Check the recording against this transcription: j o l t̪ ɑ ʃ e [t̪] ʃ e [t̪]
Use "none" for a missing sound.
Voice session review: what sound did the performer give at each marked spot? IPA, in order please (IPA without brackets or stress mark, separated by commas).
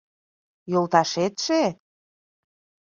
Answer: t̪, none